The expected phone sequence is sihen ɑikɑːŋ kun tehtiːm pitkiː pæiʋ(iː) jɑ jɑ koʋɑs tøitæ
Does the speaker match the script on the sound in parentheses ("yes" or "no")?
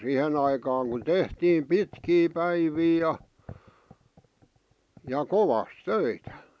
yes